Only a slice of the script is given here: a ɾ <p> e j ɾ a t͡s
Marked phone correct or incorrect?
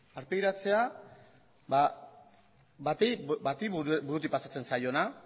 correct